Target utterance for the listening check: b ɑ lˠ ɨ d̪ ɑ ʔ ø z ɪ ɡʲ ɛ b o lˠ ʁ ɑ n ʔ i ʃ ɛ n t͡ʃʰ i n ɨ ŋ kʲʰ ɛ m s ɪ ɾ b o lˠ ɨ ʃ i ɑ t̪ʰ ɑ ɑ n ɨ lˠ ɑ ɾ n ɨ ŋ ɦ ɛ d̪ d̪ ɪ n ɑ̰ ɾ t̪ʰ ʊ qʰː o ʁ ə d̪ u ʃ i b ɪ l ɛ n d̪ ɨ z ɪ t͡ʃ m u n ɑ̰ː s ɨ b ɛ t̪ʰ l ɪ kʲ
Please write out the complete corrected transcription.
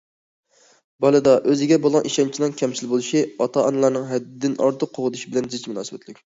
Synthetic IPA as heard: b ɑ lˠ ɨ d̪ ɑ ʔ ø z ɪ ɡʲ ɛ b o lˠ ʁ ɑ n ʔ i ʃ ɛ n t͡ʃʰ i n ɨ ŋ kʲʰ ɛ m s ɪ l b o lˠ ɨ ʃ i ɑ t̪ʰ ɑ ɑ n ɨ lˠ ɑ ɾ n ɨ ŋ ɦ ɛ d̪ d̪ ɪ n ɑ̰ ɾ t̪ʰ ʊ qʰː o ʁ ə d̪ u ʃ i b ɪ l ɛ n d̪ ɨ z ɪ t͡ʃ m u n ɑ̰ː s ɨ b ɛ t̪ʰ l ɪ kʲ